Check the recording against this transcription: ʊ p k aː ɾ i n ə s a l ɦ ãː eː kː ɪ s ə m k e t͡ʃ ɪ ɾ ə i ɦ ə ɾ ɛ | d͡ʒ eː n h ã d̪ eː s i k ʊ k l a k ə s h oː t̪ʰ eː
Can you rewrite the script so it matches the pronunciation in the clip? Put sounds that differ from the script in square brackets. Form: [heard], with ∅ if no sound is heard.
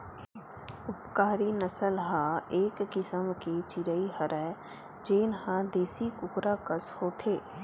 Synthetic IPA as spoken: ʊ p k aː ɾ i n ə s [ə] l ɦ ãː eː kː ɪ s ə m k e t͡ʃ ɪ ɾ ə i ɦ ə ɾ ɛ | d͡ʒ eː n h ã d̪ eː s i k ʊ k [ɾ] a k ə s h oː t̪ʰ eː

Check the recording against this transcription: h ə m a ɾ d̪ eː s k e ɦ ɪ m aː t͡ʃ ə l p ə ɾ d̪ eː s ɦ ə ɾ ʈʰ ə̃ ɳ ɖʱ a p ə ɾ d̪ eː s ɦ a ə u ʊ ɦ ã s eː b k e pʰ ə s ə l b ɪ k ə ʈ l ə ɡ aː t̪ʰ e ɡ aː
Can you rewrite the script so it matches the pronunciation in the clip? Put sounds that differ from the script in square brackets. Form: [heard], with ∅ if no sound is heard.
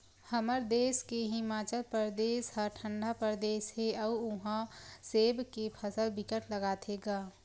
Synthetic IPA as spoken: h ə m [ə] ɾ d̪ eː s k e ɦ ɪ m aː t͡ʃ ə l p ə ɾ d̪ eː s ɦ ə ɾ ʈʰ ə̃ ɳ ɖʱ a p ə ɾ d̪ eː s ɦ [e] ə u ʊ ɦ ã s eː b k e pʰ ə s ə l b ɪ k ə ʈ l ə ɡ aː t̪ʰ e ɡ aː

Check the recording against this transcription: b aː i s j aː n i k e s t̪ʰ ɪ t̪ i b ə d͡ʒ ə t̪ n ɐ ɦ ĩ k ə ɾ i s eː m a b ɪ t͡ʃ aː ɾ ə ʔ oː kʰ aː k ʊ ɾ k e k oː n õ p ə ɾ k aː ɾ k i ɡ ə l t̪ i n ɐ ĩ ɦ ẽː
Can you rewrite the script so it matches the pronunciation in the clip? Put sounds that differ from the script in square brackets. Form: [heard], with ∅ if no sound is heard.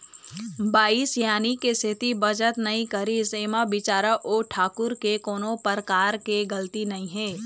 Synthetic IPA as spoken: b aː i s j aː n i k e s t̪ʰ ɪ t̪ i b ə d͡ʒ ə t̪ n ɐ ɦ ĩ k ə ɾ i s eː m a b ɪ t͡ʃ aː ɾ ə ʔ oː [ʈʰ] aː k ʊ ɾ k e k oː n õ p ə ɾ k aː ɾ k [e] ɡ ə l t̪ i n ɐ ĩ ɦ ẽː

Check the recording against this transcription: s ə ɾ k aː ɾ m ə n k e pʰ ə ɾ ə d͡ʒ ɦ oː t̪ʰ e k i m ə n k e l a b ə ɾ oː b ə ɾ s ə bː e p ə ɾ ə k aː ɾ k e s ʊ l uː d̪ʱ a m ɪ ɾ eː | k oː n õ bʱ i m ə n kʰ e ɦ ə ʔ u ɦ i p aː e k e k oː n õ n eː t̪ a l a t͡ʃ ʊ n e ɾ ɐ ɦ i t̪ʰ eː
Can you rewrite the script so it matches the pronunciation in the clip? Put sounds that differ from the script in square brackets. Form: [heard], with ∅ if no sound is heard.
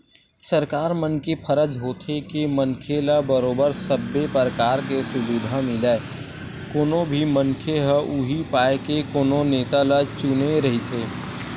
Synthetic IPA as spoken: s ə ɾ k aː ɾ m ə n k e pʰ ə ɾ ə d͡ʒ ɦ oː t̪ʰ e k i m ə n [kʰ] e l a b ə ɾ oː b ə ɾ s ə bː e p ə ɾ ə k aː ɾ k e s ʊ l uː d̪ʱ a m ɪ [l] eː | k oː n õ bʱ i m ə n kʰ e ɦ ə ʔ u ɦ i p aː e k e k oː n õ n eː t̪ a l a t͡ʃ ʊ n e ɾ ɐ ɦ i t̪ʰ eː

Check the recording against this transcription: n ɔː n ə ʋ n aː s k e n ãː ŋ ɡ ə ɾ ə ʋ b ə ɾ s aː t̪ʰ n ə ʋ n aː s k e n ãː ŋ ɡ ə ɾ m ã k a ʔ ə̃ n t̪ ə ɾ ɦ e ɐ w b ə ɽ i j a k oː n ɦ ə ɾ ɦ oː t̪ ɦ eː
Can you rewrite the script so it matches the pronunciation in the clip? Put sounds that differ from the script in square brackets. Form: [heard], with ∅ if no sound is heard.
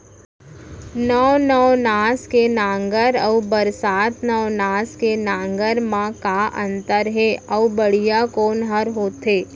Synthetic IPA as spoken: n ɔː n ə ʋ n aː s k e n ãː ŋ ɡ ə ɾ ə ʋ b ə ɾ s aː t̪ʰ n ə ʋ n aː s k e n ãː ŋ ɡ ə ɾ m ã k a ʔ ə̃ n t̪ ə ɾ ɦ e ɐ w b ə ɽ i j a k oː n ɦ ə ɾ ɦ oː t̪ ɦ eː

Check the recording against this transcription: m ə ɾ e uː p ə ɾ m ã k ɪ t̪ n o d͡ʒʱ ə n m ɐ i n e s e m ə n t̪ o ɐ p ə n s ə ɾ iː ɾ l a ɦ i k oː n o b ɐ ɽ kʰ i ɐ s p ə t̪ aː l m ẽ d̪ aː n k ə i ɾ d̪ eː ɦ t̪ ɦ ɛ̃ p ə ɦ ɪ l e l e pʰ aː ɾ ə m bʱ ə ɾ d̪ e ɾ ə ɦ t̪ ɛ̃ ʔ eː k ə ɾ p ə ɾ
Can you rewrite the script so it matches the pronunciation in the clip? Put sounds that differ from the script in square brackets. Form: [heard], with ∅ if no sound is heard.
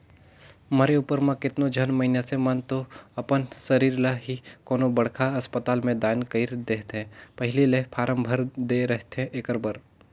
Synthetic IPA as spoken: m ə ɾ e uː p ə ɾ m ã k ɪ t̪ n o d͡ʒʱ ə n m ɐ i n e s e m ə n t̪ o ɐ p ə n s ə ɾ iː ɾ l a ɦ i k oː n o b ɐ ɽ kʰ [a] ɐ s p ə t̪ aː l m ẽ d̪ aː n k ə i ɾ d̪ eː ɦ t̪ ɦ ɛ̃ p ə ɦ ɪ l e l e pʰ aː ɾ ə m bʱ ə ɾ d̪ e ɾ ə ɦ t̪ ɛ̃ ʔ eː k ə ɾ [b] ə ɾ

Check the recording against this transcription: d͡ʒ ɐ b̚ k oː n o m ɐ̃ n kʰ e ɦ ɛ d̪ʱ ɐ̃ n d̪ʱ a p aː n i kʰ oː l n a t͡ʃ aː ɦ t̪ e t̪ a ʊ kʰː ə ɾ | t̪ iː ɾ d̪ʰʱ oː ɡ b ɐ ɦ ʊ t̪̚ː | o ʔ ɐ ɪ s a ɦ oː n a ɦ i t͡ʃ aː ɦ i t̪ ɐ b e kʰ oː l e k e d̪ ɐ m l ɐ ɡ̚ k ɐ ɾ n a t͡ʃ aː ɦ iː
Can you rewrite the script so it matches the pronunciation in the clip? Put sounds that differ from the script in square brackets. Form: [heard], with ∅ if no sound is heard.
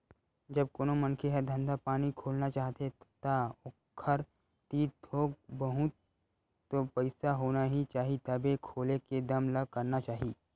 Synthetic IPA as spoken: d͡ʒ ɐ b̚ k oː n o m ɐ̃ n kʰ e ɦ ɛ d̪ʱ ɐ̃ n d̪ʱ a p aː n i kʰ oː l n a t͡ʃ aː ɦ t̪ e t̪ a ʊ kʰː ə ɾ | t̪ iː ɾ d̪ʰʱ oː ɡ b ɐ ɦ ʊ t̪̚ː | o [p] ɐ ɪ s a ɦ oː n a ɦ i t͡ʃ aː ɦ i t̪ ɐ b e kʰ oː l e k e d̪ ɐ m l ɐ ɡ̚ k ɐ ɾ n a t͡ʃ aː ɦ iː

